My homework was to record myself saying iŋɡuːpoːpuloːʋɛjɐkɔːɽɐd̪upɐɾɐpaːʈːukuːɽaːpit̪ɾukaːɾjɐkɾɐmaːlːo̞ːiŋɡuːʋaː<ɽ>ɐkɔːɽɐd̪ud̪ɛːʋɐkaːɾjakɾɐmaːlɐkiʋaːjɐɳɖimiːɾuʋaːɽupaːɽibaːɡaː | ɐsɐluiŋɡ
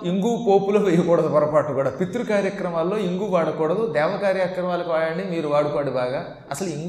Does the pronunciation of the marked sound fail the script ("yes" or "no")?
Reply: no